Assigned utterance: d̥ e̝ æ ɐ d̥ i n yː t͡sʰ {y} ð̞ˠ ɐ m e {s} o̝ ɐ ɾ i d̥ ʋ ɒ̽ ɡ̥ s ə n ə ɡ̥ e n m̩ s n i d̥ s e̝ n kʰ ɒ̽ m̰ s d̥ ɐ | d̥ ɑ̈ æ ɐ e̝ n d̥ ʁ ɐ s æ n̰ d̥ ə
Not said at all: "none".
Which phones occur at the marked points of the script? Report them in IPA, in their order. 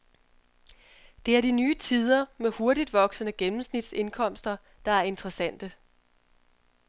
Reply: i, h

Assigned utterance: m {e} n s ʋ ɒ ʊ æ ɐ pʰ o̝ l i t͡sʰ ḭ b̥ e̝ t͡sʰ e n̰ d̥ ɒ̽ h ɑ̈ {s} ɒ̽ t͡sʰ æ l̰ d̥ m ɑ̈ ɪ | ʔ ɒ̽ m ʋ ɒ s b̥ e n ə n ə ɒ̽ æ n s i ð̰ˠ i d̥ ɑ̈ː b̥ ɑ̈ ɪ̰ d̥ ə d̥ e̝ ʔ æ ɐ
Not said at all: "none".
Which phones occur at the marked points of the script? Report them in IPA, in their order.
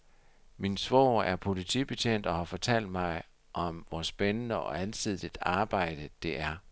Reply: i, f

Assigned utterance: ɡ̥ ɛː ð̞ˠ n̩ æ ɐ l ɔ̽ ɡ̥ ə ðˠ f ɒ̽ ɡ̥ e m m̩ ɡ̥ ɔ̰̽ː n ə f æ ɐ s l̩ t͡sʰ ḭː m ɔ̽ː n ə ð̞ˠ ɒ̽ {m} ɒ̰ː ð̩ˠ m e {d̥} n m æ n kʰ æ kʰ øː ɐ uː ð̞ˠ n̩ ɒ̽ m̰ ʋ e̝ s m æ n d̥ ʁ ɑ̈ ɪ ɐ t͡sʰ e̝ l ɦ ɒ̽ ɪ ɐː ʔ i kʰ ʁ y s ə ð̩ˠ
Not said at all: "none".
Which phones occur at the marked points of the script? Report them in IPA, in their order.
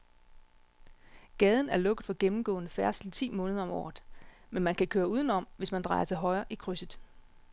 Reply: m, none

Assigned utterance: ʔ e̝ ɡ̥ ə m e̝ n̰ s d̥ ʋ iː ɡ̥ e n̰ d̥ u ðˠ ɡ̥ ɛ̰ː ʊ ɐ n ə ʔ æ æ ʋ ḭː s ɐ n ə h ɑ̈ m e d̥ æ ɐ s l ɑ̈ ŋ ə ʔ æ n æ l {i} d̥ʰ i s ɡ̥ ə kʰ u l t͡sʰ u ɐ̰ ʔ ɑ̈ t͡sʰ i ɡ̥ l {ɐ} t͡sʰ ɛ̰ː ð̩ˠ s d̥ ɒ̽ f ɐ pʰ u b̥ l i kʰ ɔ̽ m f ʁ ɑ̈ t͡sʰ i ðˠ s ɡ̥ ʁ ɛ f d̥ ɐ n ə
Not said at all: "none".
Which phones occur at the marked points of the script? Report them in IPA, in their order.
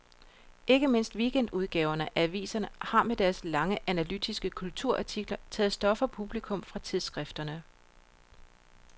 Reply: y, ɐ

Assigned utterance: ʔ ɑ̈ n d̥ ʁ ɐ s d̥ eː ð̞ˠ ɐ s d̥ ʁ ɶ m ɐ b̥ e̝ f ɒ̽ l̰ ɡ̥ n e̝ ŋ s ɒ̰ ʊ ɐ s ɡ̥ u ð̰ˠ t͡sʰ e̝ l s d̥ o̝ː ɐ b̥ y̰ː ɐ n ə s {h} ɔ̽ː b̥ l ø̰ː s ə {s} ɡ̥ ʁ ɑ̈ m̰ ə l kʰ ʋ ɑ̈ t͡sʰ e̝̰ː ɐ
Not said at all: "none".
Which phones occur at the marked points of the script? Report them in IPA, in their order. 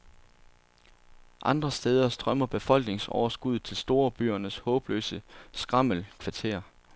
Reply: h, s

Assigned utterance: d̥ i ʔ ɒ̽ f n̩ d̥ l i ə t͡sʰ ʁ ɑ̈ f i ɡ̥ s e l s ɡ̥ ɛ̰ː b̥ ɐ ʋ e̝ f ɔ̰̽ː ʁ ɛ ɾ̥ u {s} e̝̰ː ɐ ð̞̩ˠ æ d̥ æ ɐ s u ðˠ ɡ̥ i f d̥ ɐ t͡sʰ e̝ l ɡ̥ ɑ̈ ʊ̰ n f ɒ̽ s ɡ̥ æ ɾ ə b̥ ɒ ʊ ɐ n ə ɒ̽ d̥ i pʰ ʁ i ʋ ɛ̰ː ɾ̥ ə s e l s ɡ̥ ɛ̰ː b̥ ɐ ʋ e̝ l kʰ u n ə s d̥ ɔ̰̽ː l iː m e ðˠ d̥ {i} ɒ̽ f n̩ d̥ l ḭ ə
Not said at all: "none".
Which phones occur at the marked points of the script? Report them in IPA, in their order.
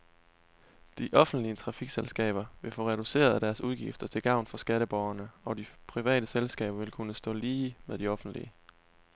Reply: s, i

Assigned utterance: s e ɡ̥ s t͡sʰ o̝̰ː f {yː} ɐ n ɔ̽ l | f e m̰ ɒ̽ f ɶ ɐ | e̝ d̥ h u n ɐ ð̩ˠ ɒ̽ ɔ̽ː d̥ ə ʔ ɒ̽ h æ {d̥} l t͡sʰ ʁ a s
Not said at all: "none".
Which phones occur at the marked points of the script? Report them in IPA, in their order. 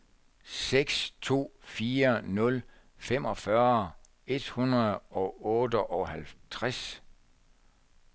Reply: iː, none

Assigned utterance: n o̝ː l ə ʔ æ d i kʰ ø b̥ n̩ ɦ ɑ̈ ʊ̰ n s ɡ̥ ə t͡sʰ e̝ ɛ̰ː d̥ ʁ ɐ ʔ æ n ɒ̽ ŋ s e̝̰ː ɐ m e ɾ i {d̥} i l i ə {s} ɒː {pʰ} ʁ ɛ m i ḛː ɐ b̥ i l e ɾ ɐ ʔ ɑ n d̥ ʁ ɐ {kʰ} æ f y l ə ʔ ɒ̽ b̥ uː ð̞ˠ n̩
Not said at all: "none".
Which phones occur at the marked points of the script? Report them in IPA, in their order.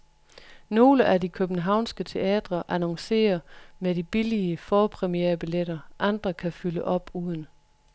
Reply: b̥, f, pʰ, kʰ

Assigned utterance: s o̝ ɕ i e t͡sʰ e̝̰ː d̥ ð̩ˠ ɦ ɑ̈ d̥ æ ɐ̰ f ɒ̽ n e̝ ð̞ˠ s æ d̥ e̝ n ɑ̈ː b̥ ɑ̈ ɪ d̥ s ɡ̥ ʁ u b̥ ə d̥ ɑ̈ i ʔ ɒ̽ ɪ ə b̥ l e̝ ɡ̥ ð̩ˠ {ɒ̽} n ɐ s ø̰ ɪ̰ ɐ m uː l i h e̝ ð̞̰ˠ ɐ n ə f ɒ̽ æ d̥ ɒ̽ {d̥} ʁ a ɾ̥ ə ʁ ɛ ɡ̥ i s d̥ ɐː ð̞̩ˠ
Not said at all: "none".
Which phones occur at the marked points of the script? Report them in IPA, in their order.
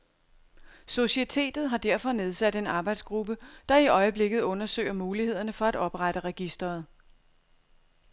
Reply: ɔ̽, b̥

